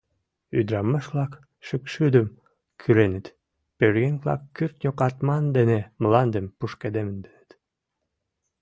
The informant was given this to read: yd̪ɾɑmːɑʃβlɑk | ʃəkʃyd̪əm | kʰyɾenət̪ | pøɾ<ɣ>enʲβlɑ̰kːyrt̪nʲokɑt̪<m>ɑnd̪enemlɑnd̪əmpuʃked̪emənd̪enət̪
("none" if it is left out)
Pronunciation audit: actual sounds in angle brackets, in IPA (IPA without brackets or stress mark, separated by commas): ɣ, m